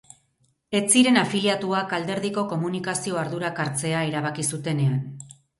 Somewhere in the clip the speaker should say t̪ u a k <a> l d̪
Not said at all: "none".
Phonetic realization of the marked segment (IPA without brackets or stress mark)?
a